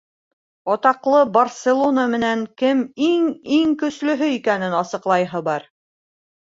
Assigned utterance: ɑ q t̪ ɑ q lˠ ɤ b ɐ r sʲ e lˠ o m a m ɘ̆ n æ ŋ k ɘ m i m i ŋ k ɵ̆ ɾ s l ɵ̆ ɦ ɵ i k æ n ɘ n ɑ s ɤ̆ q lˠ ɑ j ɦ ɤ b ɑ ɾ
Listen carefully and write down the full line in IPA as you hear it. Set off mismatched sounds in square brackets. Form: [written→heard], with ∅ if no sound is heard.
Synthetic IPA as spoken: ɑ [q→∅] t̪ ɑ q lˠ ɤ b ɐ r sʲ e lˠ o [m→n] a m ɘ̆ n æ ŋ k ɘ m i [m→ŋ] i ŋ k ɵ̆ [ɾ→∅] s l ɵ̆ ɦ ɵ i k æ n ɘ n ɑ s ɤ̆ q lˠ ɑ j ɦ ɤ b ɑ ɾ